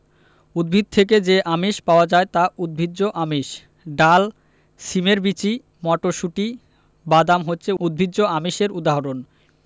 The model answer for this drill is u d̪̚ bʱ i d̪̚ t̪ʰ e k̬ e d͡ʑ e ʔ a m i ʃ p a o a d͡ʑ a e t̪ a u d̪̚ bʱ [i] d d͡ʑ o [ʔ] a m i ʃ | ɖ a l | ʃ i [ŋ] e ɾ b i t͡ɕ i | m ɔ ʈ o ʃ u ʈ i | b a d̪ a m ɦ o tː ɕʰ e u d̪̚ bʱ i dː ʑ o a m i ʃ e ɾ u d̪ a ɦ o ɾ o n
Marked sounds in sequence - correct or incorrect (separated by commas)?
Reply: correct, correct, incorrect